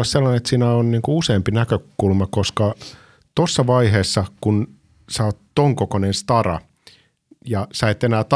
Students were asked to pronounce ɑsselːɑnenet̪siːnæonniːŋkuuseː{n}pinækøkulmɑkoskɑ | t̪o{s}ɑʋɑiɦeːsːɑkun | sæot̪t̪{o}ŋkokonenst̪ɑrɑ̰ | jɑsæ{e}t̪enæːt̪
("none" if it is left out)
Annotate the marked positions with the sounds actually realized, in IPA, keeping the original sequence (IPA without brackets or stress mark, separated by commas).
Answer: m, sː, o, e